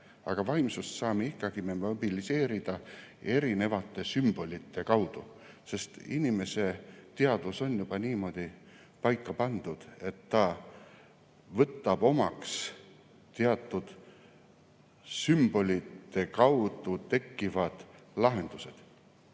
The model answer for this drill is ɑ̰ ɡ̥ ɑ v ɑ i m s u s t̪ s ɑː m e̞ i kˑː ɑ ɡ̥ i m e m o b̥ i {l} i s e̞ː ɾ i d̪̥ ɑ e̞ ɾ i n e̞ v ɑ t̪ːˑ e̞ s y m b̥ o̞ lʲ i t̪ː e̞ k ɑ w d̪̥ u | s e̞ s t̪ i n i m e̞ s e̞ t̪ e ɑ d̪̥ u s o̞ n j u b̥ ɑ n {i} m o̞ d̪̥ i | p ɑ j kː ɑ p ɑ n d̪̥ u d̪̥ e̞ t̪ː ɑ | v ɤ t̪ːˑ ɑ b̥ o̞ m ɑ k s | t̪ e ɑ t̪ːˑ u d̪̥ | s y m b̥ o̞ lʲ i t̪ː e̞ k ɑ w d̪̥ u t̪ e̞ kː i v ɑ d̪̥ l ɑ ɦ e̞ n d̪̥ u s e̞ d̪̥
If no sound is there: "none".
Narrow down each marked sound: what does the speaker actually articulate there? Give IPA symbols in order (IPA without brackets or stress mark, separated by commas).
l, iː